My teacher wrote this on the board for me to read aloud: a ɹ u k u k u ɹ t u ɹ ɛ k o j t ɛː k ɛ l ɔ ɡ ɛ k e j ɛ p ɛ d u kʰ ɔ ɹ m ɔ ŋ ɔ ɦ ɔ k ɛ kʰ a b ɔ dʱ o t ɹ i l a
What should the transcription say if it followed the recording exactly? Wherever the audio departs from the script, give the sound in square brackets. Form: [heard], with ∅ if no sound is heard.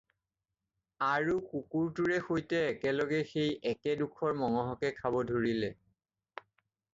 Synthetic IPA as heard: a ɹ u k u k u ɹ t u ɹ ɛ [x] o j t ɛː k ɛ l ɔ ɡ ɛ [x] e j ɛ [k] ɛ d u kʰ ɔ ɹ m ɔ ŋ ɔ ɦ ɔ k ɛ kʰ a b ɔ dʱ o [∅] ɹ i l [ɛ]